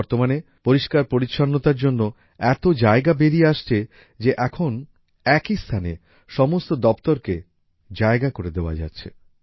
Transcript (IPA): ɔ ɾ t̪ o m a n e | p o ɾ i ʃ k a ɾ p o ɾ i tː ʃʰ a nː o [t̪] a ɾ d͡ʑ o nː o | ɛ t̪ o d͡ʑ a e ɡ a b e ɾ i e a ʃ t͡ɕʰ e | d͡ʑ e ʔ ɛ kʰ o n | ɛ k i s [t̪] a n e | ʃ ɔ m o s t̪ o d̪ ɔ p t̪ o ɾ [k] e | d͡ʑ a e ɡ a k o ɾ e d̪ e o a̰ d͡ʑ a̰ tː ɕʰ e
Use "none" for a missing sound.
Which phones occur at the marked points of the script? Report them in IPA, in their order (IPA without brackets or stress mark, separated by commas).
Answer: t̪, t̪ʰ, k